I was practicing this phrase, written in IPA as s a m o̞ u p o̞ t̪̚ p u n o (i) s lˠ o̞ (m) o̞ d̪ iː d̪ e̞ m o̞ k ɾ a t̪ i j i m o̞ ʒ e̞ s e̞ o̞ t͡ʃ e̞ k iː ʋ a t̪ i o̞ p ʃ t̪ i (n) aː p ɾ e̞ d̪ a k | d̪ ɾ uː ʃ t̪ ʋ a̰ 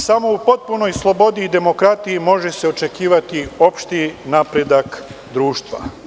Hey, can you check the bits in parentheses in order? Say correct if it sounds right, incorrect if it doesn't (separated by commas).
incorrect, incorrect, correct